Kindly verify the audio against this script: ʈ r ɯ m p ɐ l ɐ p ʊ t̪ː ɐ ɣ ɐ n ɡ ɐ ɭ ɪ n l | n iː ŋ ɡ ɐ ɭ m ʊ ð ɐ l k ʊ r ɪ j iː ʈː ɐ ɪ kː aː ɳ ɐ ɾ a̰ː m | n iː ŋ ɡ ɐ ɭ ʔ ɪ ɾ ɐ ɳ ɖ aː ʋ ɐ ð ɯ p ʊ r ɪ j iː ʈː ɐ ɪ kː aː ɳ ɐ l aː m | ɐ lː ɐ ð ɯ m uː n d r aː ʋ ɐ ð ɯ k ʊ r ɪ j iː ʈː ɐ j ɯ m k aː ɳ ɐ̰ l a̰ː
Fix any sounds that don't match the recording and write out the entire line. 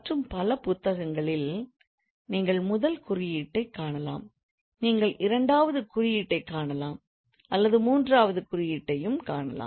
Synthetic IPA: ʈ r ɯ m p ɐ l ɐ p ʊ t̪ː ɐ ɣ ɐ ŋ ɡ ɐ ɭ ɪ l | n iː ŋ ɡ ɐ ɭ m ʊ ð ɐ l k ʊ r ɪ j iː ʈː ɐ ɪ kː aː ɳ ɐ l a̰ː m | n iː ŋ ɡ ɐ ɭ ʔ ɪ ɾ ɐ ɳ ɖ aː ʋ ɐ ð ɯ k ʊ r ɪ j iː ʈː ɐ ɪ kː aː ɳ ɐ l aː m | ɐ lː ɐ ð ɯ m uː n d r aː ʋ ɐ ð ɯ k ʊ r ɪ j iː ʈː ɐ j ɯ m k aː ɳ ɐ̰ l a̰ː